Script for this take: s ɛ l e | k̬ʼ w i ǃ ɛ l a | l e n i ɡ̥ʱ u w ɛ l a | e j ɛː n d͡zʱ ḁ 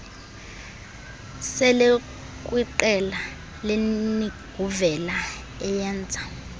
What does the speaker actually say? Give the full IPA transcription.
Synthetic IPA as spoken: s ɛ l e | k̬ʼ w i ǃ ɛ l a | l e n i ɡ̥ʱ u v ɛ l a | ɛ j ɛː n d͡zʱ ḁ